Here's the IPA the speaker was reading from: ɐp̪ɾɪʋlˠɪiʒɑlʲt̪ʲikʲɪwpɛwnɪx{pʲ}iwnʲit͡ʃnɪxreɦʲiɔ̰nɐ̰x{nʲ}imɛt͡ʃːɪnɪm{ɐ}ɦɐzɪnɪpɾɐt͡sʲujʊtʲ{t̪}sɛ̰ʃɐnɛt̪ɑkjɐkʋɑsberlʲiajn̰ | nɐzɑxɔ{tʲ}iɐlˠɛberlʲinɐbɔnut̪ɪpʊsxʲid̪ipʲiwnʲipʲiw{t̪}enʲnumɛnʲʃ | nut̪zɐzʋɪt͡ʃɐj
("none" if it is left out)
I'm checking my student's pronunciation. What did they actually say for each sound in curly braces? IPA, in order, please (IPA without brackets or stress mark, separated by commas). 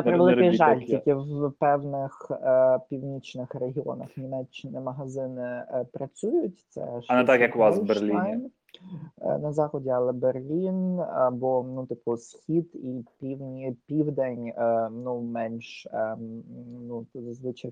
pʲ, nʲ, ɐ, t̪, dʲ, d̪